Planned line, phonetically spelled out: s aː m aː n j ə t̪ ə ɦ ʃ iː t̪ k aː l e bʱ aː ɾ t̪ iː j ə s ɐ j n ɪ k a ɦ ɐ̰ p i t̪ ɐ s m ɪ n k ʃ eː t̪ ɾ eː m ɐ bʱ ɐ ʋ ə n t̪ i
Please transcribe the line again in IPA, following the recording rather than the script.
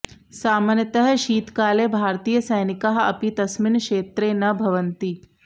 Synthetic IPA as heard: s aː m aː n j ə t̪ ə ɦ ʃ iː t̪ k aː l e bʱ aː ɾ t̪ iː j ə s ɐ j n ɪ k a ɦ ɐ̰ p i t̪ ɐ s m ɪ n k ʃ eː t̪ ɾ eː n ɐ bʱ ɐ ʋ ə n t̪ i